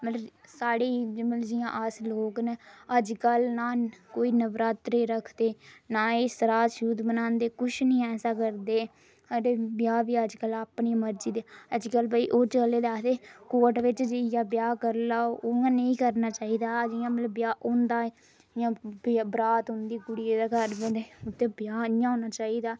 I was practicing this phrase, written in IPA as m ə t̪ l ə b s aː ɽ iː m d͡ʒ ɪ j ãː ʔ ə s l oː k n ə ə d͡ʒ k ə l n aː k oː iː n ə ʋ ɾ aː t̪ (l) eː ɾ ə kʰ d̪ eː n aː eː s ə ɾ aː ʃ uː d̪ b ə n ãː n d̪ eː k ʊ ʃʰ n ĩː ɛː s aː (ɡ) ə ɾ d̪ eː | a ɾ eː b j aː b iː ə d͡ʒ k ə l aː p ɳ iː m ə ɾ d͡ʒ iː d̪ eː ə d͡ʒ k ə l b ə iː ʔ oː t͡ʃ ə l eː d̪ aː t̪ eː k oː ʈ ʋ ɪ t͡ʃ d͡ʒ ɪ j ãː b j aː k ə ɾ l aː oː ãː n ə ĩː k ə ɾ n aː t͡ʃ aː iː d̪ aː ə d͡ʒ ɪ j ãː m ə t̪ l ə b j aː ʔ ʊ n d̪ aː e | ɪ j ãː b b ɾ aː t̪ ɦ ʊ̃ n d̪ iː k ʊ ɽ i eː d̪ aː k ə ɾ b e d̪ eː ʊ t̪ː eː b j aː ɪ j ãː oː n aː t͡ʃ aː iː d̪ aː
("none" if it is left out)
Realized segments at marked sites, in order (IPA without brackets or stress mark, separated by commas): ɾ, k